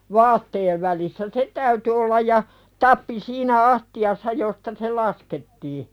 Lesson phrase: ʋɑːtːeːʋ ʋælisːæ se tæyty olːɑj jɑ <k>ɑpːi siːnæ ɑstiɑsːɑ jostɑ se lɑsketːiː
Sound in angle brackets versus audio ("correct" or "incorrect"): incorrect